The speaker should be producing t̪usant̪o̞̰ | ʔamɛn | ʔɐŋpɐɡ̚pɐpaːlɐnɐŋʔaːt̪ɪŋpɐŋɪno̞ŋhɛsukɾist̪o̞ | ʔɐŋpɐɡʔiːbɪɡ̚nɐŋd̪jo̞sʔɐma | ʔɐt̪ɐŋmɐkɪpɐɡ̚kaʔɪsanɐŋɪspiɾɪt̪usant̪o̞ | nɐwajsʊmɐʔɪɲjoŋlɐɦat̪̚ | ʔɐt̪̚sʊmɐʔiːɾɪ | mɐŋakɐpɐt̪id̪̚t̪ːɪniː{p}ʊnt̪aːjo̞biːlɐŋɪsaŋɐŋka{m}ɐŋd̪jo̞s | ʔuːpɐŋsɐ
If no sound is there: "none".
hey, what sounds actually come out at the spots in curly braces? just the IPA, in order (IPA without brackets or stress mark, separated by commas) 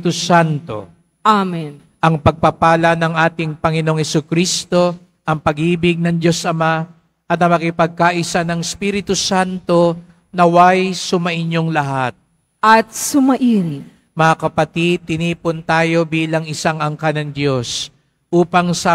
p, n